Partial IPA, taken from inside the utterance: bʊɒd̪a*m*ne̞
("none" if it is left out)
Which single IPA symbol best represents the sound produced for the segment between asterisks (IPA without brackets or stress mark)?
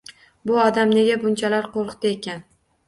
m